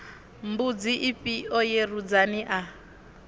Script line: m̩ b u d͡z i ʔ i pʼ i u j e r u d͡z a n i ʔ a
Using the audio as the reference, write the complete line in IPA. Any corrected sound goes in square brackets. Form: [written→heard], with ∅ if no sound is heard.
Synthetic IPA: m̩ b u d͡z i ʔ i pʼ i [u→ɔ] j e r u d͡z a n i ʔ a

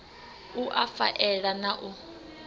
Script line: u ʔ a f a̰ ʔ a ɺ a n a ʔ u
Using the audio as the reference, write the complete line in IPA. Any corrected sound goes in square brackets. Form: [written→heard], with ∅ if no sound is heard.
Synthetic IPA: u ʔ a f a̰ ʔ [a→ɛ] ɺ a n a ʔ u

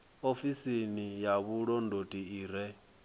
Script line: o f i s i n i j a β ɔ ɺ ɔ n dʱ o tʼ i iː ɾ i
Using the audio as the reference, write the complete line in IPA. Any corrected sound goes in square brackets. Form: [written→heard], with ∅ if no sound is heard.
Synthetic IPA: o f i s i n i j a β [ɔ→u] ɺ ɔ n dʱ o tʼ i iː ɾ [i→ɛ]

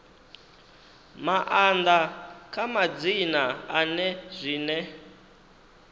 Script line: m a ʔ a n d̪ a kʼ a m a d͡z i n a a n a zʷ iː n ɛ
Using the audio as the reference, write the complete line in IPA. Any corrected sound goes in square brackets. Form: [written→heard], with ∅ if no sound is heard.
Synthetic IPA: m a ʔ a n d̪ a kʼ a m a d͡z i n a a n [a→ɛ] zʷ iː n ɛ

